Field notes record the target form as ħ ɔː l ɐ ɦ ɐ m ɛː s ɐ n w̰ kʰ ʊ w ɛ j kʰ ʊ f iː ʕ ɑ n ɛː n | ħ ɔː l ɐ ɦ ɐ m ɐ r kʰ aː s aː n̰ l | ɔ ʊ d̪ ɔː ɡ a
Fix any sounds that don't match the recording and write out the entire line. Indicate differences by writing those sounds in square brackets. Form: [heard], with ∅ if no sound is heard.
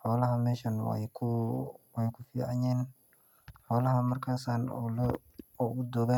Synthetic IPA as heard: ħ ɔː l ɐ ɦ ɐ m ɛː [ʃ] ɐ n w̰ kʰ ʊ w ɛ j kʰ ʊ f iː ʕ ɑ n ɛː n | ħ ɔː l ɐ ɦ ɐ m ɐ r kʰ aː s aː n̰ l | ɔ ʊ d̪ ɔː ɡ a